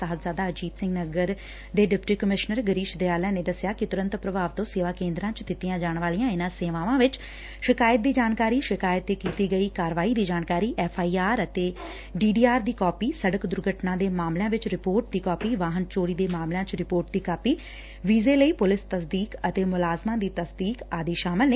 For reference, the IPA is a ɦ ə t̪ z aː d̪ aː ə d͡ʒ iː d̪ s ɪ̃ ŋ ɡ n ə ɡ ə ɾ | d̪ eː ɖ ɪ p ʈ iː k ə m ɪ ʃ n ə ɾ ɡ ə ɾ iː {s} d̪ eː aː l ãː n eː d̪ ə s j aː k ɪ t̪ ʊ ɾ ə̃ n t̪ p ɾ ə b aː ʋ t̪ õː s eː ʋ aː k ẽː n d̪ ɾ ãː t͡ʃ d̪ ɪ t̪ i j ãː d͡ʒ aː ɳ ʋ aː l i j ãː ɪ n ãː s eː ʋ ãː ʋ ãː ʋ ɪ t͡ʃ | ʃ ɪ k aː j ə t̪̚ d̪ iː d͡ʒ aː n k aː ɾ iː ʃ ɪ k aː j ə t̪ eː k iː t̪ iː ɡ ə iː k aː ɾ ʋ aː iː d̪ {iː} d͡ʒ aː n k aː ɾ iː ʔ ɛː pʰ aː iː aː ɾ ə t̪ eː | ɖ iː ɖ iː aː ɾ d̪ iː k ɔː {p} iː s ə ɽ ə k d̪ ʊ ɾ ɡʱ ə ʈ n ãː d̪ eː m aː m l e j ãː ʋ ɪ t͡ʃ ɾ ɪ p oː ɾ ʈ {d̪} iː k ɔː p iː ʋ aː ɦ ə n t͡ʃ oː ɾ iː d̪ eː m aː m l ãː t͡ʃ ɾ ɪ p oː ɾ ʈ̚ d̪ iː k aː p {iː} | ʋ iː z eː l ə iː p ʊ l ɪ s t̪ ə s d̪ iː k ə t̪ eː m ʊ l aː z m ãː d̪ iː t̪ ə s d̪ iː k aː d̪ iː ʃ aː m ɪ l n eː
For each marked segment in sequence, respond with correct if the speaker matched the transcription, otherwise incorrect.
incorrect: ʃ, correct, correct, correct, correct

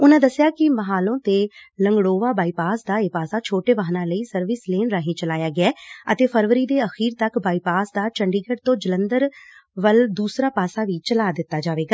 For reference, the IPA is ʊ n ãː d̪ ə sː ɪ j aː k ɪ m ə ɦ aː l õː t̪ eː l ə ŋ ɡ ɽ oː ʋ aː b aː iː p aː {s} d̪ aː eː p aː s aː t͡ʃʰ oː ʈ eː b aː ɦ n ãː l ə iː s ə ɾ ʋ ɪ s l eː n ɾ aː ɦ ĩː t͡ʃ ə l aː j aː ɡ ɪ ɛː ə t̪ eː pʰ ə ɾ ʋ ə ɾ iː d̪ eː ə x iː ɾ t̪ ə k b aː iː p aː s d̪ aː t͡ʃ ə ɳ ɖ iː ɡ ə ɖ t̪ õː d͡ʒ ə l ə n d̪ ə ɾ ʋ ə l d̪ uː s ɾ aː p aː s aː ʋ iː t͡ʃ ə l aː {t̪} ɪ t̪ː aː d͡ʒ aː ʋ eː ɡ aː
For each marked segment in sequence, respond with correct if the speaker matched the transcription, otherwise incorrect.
correct, incorrect: d̪

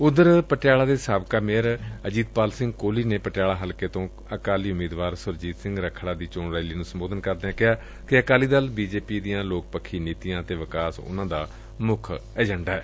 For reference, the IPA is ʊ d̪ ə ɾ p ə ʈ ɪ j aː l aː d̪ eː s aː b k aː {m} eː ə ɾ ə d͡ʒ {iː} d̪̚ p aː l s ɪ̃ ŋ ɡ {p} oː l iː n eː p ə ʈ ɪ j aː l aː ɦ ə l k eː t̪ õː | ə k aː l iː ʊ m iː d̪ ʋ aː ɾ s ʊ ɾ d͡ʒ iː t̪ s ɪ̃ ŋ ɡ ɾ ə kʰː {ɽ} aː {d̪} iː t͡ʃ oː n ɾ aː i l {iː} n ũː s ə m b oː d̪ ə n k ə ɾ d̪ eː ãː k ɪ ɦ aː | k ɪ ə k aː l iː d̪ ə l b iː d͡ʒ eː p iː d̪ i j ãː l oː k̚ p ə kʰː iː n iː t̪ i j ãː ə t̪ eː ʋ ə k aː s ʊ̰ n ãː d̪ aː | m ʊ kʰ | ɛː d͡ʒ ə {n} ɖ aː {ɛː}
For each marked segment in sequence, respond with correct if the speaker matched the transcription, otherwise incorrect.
correct, correct, incorrect: k, correct, correct, correct, incorrect: ɳ, correct

